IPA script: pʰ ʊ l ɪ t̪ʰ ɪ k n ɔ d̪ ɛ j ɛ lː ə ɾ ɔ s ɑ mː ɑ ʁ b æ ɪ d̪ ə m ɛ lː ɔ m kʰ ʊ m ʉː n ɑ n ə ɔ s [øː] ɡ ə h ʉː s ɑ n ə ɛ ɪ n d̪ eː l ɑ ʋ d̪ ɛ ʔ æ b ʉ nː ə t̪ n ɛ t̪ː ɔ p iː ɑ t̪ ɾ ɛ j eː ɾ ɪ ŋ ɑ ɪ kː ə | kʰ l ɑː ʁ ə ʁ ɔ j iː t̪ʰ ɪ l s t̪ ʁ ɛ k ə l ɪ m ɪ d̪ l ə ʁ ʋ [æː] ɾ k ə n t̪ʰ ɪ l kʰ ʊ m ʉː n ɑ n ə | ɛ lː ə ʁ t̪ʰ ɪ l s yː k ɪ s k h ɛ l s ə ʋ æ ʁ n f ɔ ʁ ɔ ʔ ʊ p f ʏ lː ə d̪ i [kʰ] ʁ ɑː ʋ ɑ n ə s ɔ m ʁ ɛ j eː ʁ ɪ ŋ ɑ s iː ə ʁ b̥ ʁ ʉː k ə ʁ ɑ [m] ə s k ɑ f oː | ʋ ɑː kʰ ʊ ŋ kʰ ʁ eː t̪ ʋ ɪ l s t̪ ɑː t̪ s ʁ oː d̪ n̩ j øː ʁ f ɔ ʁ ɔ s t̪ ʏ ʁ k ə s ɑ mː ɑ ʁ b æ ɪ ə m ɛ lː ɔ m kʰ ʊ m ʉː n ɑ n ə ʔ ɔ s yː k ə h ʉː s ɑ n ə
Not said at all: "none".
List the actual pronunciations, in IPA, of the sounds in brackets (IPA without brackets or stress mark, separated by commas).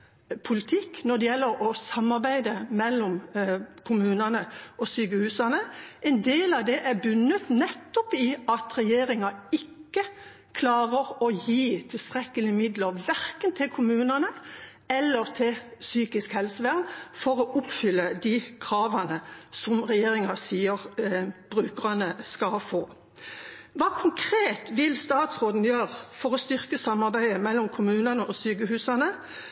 yː, æ, kʰ, n